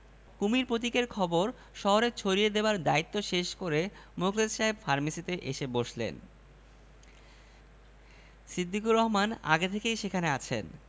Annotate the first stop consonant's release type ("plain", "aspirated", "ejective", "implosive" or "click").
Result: plain